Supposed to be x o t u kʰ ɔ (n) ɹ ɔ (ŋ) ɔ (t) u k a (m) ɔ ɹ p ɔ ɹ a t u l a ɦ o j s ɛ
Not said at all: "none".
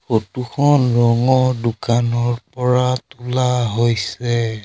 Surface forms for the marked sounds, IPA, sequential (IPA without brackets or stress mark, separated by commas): n, ŋ, d, n